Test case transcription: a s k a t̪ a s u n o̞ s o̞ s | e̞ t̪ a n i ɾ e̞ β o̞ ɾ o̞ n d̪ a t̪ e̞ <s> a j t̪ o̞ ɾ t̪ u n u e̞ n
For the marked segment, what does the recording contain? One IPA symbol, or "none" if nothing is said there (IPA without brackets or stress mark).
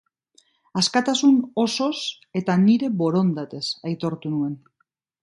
s